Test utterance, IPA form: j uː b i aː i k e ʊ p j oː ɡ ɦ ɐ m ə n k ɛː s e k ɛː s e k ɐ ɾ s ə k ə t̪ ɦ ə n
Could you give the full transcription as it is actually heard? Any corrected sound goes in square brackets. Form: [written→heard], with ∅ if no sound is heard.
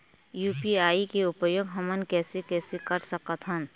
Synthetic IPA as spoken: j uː [b→p] i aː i k e ʊ p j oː ɡ ɦ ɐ m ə n k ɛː s e k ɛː s e k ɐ ɾ s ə k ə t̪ ɦ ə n